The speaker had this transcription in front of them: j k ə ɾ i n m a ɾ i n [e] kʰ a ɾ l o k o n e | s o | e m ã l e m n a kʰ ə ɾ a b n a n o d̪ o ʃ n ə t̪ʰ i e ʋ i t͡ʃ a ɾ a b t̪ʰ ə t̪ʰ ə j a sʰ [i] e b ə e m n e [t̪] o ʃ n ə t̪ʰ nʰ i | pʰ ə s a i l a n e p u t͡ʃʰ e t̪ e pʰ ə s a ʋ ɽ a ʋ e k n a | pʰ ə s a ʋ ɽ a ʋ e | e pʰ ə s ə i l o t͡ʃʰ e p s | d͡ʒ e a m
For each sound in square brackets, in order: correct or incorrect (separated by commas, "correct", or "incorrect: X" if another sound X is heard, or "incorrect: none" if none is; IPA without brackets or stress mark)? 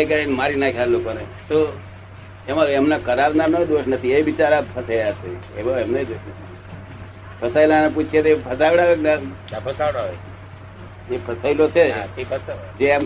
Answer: incorrect: a, incorrect: e, incorrect: d̪